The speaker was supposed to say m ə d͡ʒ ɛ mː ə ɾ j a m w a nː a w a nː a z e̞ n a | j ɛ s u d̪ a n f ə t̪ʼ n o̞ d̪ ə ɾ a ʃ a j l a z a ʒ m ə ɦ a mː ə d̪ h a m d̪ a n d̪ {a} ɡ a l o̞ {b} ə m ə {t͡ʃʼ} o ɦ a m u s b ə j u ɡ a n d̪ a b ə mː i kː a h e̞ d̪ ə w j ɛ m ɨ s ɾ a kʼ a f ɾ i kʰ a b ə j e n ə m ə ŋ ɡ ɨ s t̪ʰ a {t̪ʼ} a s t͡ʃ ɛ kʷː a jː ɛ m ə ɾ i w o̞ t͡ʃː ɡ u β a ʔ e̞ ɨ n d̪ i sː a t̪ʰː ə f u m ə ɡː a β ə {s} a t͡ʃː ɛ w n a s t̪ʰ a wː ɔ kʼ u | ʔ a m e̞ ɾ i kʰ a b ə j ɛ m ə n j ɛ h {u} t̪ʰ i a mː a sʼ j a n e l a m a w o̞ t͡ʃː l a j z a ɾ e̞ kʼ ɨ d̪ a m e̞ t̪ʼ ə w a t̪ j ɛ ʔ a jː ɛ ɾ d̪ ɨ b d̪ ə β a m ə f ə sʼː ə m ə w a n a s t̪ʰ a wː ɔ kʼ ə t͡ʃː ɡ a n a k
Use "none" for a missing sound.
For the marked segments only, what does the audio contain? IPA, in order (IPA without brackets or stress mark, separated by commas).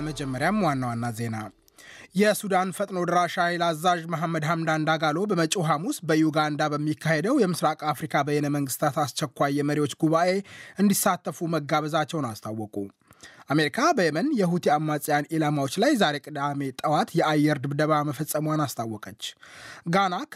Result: a, b, t͡ʃʼ, t̪, z, u